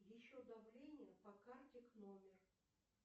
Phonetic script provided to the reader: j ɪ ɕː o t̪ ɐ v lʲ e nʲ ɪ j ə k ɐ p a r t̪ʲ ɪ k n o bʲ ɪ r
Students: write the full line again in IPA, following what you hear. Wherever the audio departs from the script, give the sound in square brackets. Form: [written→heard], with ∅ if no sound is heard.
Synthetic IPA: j ɪ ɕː o [t̪→d̪] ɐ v lʲ e nʲ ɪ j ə [k→p] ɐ [p→k] a r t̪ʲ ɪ k n o [bʲ→mʲ] ɪ r